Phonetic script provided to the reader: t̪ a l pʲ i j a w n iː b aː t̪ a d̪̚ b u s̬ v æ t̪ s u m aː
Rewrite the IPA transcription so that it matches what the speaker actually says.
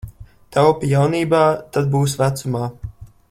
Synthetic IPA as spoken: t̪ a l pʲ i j a w n iː b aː t̪ a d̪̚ b uː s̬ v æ t̪ s u m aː